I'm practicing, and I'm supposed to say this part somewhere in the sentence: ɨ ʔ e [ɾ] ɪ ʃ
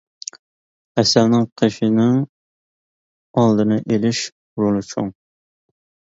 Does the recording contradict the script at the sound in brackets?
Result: yes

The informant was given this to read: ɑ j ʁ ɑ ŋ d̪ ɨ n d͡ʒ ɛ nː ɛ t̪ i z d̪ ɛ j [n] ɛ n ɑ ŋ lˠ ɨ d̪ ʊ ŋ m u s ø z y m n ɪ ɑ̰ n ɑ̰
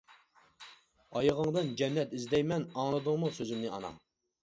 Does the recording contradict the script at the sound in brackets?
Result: yes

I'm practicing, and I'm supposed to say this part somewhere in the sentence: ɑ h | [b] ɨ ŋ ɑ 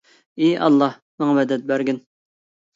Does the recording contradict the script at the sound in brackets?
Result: yes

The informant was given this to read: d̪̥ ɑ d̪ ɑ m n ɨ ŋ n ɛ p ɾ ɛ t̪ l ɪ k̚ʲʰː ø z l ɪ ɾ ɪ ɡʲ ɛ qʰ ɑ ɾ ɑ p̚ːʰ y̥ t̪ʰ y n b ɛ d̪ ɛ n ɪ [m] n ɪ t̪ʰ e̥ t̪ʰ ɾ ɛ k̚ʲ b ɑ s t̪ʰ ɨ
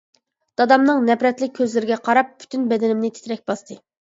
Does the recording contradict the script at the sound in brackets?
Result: no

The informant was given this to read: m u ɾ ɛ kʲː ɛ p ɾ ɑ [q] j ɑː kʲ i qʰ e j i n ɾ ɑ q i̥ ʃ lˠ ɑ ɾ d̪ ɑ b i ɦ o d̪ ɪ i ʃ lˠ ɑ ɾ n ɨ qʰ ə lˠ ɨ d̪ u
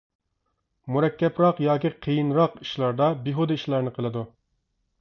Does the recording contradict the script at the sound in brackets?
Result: no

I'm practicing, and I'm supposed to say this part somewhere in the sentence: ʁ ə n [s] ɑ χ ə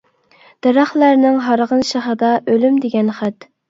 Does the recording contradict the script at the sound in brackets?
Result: yes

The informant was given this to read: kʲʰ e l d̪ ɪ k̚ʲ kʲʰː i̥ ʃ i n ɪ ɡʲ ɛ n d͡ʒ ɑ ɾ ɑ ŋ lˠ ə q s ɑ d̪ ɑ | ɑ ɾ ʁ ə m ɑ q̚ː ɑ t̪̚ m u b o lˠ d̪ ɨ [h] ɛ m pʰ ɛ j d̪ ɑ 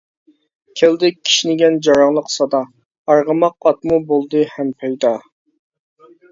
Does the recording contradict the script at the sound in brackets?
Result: no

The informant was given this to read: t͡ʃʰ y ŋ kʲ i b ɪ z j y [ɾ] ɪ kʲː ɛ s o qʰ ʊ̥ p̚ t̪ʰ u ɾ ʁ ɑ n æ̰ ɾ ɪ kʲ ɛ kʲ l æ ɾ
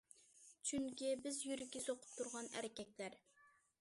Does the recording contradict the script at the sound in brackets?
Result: no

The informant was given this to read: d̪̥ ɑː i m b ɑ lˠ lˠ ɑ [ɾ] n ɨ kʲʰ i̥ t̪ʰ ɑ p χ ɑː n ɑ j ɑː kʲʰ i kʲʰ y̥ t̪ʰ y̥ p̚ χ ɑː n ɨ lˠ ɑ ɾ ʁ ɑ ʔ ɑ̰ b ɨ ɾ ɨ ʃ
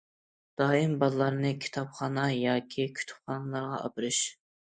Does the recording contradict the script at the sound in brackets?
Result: no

